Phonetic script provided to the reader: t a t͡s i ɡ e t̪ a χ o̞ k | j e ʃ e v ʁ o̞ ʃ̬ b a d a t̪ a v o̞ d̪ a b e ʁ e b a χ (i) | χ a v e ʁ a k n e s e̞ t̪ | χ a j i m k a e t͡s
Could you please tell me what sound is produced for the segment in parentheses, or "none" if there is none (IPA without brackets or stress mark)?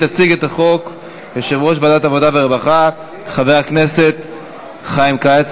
a